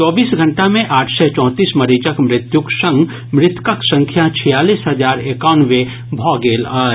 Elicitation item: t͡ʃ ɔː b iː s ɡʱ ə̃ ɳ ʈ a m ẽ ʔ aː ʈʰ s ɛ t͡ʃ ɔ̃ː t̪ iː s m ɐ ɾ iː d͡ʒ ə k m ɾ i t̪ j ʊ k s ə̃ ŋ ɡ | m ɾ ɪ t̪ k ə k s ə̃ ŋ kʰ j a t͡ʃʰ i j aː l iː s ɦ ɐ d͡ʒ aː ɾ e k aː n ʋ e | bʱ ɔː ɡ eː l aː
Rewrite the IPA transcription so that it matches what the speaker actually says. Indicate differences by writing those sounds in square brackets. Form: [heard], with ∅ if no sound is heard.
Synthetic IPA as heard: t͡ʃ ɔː b iː s ɡʱ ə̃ ɳ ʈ a m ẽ ʔ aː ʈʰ s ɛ t͡ʃ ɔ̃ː t̪ iː s m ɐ ɾ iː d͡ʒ ə k m ɾ [ɪ] t̪ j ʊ k s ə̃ ŋ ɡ | m ɾ ɪ t̪ k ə k s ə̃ ŋ kʰ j a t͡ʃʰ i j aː l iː s ɦ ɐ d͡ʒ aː ɾ e k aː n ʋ e | bʱ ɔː ɡ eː l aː

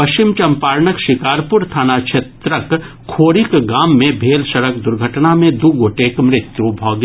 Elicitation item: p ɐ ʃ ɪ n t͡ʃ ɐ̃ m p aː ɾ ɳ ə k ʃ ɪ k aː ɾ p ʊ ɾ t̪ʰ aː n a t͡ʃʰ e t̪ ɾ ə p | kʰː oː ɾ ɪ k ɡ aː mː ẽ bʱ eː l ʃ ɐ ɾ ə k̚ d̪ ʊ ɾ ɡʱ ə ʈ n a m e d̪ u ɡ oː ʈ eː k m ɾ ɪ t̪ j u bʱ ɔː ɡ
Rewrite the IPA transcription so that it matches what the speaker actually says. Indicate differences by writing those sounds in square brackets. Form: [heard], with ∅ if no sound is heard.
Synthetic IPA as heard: p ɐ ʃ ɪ [m] t͡ʃ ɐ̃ m p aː ɾ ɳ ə k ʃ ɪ k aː ɾ p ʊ ɾ t̪ʰ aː n a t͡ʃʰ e t̪ ɾ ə [k] | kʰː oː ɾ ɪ k ɡ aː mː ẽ bʱ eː l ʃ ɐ ɾ ə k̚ d̪ ʊ ɾ ɡʱ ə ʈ n a m [ẽ] d̪ u ɡ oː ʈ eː k m ɾ ɪ t̪ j u bʱ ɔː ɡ

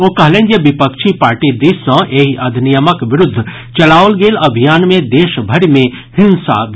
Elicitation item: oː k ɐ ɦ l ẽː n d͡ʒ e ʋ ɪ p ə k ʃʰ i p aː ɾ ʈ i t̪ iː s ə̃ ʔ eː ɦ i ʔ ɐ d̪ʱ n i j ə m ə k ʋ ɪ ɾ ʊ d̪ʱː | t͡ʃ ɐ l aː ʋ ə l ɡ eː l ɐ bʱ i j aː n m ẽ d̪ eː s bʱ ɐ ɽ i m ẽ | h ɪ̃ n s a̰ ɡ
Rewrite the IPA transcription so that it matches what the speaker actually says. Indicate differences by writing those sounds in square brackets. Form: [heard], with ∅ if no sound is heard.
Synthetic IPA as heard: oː k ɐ ɦ l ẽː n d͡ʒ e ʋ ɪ p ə k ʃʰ i p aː ɾ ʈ i [d̪] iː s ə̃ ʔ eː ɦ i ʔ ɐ d̪ʱ n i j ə m ə k ʋ ɪ ɾ ʊ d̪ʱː | t͡ʃ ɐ l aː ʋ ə l ɡ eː l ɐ bʱ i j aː n m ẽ d̪ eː [ʃ] bʱ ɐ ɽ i m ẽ | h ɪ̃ n s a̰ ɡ

